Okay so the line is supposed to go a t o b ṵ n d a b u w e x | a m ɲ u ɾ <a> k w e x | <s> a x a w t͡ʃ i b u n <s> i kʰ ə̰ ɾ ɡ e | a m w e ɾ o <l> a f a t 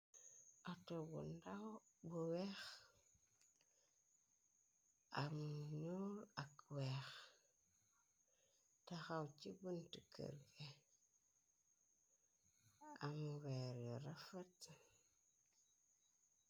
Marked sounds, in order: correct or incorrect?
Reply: correct, incorrect, incorrect, incorrect

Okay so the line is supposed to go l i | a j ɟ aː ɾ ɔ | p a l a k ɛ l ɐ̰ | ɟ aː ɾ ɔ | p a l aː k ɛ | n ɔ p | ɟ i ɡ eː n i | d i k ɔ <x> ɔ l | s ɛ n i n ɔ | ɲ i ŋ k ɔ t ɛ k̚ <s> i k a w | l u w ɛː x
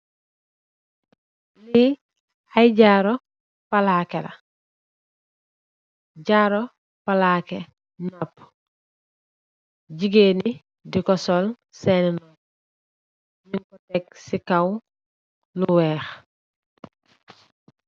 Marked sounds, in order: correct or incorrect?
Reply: incorrect, correct

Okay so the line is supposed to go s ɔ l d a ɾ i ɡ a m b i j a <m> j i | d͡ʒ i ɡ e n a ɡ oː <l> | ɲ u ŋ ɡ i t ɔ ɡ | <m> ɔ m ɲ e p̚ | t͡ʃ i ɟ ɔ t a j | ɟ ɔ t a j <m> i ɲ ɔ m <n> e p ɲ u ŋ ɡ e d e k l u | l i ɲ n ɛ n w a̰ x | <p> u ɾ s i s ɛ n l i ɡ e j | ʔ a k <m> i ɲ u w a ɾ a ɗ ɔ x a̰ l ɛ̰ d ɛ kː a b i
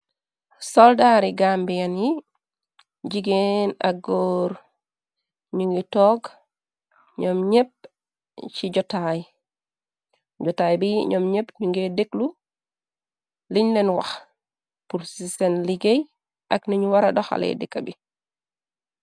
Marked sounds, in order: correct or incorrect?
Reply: incorrect, incorrect, incorrect, incorrect, incorrect, correct, incorrect

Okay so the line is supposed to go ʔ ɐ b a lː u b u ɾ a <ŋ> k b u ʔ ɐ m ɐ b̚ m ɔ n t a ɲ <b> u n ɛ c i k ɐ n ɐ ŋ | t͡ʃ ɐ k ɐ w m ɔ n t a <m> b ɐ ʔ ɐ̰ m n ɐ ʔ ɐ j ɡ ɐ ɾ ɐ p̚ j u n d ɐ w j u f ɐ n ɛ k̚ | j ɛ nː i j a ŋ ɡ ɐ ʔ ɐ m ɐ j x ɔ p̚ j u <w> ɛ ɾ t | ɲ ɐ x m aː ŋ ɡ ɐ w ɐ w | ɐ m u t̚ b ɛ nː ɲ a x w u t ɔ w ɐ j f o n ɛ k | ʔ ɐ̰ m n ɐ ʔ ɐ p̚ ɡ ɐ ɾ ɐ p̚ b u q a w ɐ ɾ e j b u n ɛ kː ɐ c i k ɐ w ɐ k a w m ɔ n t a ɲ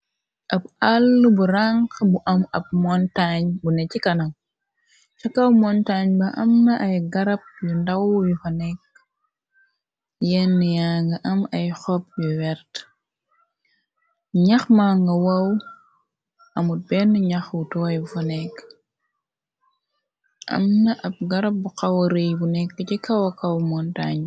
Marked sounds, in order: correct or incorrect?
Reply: correct, correct, incorrect, correct

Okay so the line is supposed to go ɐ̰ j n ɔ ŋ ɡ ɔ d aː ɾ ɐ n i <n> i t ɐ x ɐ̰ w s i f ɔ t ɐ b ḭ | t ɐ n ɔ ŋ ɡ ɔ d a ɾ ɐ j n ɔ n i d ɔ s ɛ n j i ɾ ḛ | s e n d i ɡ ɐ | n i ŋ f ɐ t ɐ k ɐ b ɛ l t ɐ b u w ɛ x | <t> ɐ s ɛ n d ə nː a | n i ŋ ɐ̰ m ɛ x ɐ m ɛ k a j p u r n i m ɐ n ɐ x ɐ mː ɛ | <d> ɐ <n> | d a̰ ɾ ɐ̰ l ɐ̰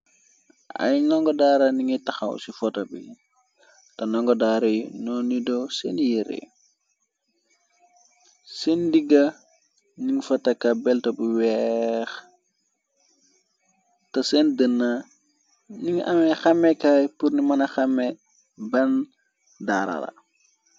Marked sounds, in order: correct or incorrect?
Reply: incorrect, correct, incorrect, correct

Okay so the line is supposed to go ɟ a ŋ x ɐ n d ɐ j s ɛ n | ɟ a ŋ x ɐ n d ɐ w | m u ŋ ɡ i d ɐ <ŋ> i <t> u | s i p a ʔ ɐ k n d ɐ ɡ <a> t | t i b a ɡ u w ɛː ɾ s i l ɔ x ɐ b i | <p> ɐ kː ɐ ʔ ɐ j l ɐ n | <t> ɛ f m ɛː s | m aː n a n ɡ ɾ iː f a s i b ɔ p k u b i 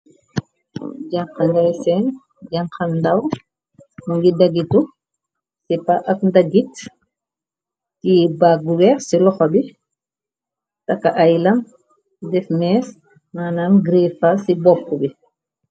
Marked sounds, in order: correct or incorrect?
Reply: incorrect, correct, incorrect, incorrect, incorrect

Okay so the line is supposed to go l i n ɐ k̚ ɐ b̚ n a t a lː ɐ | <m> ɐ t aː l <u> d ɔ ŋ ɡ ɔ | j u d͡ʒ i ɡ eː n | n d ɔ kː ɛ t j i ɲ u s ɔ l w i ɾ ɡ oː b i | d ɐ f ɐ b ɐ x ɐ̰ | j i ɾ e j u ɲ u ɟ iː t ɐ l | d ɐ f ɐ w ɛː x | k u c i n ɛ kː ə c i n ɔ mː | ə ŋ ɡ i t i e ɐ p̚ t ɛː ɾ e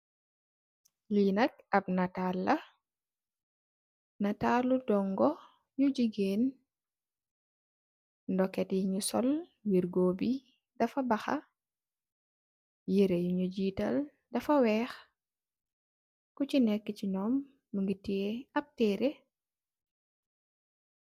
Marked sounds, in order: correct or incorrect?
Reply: incorrect, correct

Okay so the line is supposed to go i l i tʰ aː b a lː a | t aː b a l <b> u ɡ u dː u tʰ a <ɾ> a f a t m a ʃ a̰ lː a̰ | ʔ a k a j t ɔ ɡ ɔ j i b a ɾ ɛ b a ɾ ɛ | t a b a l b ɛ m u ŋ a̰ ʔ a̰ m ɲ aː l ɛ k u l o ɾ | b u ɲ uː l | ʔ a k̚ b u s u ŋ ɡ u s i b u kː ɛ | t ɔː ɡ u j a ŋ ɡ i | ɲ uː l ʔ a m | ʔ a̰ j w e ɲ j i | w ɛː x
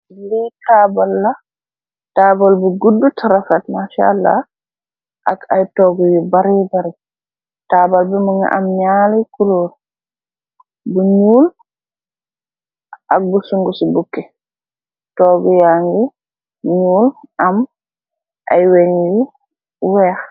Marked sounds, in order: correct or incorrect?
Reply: correct, correct

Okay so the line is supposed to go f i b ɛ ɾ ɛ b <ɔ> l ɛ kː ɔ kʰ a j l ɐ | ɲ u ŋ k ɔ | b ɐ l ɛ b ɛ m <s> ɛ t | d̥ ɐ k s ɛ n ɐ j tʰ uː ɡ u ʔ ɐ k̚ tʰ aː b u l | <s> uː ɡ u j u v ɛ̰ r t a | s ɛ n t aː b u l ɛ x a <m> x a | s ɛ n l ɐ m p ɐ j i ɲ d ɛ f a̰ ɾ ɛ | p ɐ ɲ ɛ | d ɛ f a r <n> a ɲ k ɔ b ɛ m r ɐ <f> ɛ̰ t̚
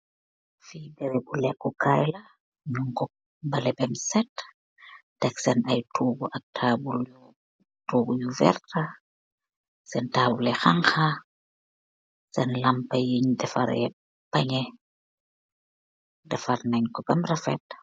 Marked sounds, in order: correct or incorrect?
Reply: incorrect, correct, incorrect, incorrect, correct, correct

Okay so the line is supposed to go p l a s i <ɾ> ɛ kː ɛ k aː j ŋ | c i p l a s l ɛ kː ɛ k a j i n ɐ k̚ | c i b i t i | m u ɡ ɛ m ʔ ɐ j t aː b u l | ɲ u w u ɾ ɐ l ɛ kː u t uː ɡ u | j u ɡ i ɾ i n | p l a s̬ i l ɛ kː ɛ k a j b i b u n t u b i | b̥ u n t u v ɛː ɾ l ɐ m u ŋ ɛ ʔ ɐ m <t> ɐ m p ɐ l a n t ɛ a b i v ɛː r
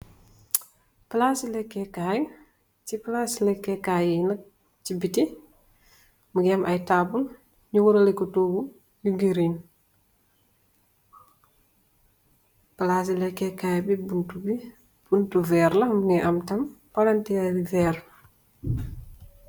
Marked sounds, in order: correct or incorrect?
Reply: incorrect, correct

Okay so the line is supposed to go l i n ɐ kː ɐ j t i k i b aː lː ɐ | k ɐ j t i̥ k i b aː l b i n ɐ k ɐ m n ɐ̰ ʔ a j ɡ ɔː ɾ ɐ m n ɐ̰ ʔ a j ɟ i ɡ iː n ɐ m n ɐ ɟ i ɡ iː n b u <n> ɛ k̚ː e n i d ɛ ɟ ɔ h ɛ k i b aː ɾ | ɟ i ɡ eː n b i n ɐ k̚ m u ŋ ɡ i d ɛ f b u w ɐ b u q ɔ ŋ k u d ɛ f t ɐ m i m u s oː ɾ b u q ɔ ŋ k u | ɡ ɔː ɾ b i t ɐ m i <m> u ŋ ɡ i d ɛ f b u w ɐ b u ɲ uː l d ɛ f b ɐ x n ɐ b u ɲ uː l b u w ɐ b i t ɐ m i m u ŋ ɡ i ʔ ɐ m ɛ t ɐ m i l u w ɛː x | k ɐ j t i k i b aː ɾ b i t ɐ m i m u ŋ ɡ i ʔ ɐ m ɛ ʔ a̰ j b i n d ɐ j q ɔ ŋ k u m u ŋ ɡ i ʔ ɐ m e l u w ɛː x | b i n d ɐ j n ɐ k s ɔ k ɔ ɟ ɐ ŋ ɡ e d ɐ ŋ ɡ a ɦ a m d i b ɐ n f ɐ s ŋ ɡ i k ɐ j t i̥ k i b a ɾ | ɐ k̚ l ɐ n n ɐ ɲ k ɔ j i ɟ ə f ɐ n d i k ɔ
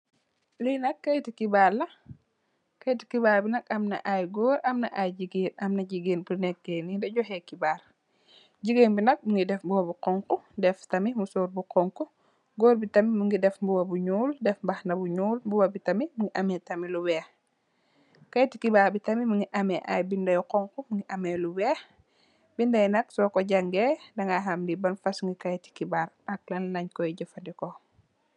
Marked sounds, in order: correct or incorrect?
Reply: correct, correct

